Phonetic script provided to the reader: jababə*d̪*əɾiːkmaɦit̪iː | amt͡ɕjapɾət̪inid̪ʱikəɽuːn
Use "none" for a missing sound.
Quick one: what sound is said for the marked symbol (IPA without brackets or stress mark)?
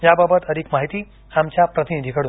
t̪